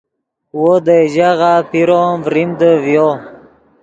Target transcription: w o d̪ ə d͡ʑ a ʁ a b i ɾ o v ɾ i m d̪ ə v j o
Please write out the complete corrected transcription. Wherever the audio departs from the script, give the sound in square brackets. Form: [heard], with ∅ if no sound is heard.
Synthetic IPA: w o d̪ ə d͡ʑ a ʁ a [p] i ɾ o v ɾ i m d̪ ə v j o